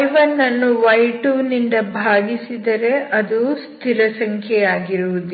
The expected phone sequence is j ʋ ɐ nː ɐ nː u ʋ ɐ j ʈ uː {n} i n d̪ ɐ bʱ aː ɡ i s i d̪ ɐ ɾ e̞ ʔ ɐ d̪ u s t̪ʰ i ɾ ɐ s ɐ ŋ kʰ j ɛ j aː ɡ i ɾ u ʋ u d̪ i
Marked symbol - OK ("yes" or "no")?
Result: yes